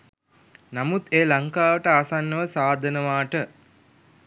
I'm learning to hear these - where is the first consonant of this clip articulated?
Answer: tongue tip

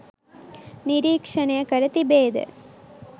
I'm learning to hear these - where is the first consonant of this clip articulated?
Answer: tongue tip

